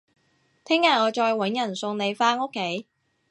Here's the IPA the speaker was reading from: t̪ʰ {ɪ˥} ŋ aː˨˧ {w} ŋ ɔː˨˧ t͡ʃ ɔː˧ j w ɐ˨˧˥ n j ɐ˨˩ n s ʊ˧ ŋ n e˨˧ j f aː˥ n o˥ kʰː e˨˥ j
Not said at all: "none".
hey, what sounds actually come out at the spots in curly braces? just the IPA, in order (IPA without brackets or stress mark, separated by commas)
ɪ˥, none